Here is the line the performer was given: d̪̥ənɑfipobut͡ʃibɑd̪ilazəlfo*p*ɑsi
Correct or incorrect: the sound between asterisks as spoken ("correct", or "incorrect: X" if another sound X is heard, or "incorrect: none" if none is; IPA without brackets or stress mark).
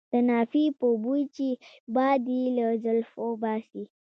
incorrect: b